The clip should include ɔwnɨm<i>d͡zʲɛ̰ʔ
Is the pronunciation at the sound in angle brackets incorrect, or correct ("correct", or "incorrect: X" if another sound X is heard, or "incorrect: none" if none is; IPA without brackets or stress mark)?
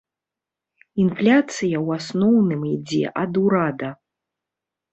correct